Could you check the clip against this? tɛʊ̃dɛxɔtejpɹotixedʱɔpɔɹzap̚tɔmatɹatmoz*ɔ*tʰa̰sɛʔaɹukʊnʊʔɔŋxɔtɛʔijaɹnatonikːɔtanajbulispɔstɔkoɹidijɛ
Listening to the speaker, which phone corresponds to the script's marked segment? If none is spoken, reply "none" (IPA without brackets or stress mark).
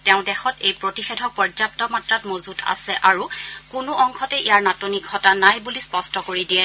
u